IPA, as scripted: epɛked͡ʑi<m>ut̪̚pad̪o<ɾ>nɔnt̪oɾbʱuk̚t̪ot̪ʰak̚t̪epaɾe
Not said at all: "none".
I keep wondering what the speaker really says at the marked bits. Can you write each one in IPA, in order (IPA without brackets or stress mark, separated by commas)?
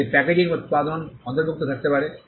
ŋ, none